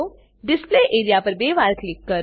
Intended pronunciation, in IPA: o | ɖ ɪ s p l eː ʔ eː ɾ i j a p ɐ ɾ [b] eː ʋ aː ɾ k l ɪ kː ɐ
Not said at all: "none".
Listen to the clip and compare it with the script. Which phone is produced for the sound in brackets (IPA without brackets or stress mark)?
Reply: b